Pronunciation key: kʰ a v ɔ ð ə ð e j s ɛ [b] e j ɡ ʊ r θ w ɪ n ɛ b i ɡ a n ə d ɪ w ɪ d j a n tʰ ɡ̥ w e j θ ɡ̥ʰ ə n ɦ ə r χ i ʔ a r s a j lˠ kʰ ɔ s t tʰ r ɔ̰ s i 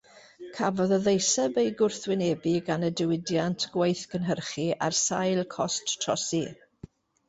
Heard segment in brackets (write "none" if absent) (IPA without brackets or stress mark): b